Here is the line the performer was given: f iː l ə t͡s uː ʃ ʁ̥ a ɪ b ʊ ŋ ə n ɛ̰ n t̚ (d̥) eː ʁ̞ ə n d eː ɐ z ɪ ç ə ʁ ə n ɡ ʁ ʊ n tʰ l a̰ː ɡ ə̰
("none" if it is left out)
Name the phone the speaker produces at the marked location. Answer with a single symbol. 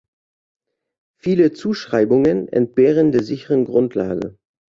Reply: b̥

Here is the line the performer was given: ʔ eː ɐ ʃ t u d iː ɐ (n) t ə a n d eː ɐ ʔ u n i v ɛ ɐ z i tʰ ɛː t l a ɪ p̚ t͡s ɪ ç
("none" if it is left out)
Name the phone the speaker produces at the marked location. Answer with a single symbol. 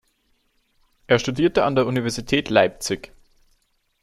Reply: none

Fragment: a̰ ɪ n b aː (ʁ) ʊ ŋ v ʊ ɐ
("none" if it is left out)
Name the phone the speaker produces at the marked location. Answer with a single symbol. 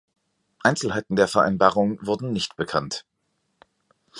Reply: ʁ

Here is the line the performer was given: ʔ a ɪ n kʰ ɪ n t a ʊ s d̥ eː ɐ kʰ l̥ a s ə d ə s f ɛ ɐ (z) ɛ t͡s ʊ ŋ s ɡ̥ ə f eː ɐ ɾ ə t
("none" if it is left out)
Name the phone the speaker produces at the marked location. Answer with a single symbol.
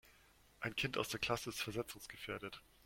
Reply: z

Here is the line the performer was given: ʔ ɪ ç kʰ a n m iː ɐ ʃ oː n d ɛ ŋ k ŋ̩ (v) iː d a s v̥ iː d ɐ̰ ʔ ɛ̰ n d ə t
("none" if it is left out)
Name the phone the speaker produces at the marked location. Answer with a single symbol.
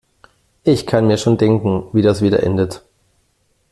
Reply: v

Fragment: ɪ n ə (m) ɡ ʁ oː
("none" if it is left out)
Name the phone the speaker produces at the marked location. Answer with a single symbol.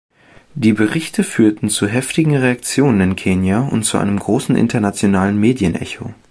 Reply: m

